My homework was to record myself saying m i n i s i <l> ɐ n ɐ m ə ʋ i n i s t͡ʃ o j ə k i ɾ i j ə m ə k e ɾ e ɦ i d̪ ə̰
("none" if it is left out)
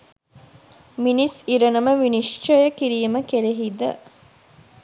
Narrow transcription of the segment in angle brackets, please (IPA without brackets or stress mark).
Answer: ɾ